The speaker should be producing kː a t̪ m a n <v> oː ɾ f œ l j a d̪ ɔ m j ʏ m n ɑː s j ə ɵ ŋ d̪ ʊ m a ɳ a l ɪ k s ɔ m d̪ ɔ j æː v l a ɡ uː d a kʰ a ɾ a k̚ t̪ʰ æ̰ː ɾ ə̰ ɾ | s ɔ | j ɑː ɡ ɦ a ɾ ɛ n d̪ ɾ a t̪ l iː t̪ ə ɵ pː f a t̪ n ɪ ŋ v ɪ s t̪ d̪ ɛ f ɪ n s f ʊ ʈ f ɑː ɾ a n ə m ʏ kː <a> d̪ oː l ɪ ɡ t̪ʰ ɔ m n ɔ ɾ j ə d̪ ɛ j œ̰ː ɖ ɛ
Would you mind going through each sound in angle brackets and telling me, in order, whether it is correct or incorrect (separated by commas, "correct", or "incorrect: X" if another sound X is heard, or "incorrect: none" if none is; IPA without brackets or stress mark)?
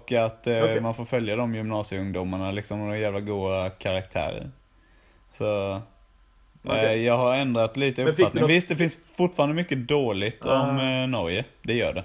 incorrect: f, incorrect: ə